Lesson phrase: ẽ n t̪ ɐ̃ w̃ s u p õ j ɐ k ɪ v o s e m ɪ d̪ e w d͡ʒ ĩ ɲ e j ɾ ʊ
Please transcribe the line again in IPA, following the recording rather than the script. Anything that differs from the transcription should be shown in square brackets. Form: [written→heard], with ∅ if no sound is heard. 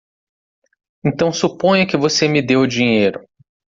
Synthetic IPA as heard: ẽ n t̪ ɐ̃ w̃ s u p õ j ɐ k ɪ v o s e m ɪ d̪ e w d͡ʒ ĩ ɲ e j ɾ ʊ